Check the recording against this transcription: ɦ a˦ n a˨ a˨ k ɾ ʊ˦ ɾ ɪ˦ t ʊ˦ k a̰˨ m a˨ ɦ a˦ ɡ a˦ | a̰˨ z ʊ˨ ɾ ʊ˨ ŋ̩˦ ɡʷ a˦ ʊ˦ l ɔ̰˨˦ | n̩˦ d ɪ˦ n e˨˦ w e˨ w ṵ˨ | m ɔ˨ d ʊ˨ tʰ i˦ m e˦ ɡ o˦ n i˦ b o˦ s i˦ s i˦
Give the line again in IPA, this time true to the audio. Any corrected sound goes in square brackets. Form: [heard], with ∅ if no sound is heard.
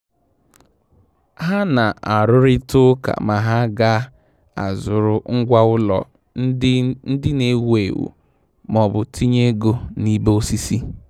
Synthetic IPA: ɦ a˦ n a˨ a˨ [∅] ɾ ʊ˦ ɾ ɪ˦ t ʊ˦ k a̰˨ m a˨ ɦ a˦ ɡ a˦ | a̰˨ z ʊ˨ ɾ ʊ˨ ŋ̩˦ ɡʷ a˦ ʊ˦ l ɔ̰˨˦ | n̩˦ d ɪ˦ n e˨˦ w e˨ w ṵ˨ | m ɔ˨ [b] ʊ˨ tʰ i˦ [ɲ] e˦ ɡ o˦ n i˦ b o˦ s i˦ s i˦

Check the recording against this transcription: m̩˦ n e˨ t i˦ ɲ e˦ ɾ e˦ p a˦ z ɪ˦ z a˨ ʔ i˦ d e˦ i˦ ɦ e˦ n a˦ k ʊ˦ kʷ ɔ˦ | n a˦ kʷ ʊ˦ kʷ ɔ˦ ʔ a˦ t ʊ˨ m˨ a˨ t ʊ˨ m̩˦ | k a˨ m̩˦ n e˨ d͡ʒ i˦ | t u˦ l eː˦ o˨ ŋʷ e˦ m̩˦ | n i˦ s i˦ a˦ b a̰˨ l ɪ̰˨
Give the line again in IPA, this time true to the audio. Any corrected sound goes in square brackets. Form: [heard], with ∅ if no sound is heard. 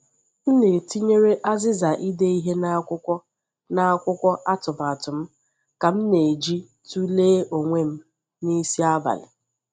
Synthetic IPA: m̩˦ n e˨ t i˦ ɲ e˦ ɾ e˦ [ʔ] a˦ z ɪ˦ z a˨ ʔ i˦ d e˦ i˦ ɦ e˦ n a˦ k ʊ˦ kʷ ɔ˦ | n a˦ kʷ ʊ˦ kʷ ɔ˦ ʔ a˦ t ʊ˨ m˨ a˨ t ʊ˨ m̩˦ | k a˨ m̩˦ n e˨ d͡ʒ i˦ | t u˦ l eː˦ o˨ ŋʷ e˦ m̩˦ | n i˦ s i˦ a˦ b a̰˨ l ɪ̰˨

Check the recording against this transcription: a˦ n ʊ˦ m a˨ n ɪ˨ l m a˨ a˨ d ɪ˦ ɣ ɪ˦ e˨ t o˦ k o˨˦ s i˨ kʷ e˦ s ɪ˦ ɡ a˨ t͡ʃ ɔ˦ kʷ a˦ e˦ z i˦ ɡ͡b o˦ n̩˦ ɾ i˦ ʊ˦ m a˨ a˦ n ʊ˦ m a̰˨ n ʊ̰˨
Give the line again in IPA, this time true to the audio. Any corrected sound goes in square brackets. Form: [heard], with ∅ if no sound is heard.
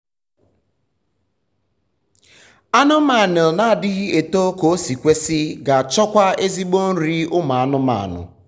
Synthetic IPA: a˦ n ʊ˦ m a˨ n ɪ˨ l [n] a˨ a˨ d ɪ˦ ɣ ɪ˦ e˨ t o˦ k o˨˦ s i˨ kʷ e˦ s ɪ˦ ɡ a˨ t͡ʃ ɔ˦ kʷ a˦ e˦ z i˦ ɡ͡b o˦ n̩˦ ɾ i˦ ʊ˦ m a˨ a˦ n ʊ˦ m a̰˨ n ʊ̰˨

